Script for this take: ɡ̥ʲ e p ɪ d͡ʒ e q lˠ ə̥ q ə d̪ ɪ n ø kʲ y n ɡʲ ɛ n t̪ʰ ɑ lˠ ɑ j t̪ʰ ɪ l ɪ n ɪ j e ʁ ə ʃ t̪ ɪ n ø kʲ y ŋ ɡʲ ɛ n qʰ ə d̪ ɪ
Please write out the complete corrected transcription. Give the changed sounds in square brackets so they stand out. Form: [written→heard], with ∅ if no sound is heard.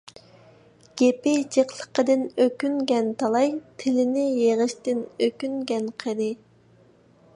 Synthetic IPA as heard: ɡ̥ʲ e p ɪ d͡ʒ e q lˠ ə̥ q ə d̪ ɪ n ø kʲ y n ɡʲ ɛ n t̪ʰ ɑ lˠ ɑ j t̪ʰ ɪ l ɪ n ɪ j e ʁ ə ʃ t̪ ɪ n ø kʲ y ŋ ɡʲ ɛ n qʰ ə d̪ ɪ